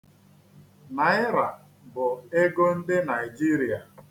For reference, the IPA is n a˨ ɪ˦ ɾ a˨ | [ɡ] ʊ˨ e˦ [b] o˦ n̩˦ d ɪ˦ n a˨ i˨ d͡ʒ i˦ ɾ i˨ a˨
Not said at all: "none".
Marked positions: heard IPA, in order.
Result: b, ɡ

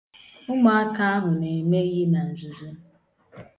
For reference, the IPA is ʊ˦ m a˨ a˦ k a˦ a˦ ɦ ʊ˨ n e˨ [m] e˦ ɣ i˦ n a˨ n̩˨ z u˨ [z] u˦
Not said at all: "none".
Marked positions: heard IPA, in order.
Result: m, z

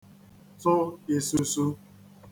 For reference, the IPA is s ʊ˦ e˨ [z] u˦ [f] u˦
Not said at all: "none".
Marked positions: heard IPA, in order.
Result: s, s

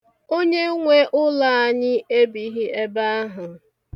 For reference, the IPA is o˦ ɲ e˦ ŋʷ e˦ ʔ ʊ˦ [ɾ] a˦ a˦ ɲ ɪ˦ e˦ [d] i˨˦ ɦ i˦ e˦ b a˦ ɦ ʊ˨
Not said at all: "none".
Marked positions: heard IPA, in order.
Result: l, b

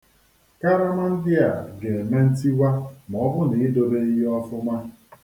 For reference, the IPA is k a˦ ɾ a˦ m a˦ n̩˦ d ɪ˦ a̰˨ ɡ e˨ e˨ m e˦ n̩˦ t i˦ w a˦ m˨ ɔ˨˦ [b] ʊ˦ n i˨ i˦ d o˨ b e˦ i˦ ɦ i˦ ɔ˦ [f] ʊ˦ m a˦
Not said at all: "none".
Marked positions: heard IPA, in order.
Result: b, f

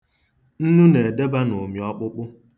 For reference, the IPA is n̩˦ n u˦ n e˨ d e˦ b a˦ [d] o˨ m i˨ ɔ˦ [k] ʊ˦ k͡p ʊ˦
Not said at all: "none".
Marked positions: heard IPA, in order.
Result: n, k͡p

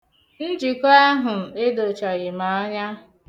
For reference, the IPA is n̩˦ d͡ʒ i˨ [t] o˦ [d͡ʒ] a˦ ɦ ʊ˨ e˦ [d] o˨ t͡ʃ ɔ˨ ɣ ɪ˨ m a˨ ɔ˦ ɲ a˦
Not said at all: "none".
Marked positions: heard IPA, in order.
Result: k, none, d

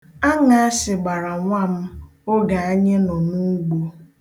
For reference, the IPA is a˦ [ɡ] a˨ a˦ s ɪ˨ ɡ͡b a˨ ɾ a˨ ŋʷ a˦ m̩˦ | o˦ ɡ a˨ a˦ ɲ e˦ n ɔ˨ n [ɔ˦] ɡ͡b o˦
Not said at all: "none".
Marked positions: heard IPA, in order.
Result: ŋ, u˦

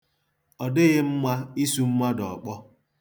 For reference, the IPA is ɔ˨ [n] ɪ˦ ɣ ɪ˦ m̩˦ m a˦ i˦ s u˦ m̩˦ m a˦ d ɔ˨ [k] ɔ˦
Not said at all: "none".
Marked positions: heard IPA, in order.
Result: d, k͡p

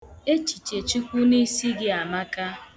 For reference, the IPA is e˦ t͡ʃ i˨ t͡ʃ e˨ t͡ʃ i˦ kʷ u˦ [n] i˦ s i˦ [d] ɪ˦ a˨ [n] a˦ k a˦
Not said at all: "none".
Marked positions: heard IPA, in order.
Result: n, ɡ, m

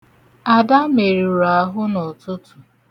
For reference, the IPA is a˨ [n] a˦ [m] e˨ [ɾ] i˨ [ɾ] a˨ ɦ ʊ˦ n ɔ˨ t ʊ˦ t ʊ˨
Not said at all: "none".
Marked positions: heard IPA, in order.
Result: d, m, ɾ, ɾ

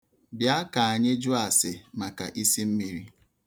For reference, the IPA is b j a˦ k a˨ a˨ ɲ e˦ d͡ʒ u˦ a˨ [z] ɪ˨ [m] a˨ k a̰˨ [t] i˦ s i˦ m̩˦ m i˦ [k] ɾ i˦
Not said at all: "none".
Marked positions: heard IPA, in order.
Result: s, m, ʔ, none

